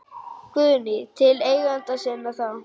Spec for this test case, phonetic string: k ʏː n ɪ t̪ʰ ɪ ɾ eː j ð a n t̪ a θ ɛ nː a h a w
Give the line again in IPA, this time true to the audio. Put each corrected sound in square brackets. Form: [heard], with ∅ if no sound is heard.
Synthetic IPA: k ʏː n ɪ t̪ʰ ɪ [l] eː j [ɣ] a n t̪ a [s] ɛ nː a [θ] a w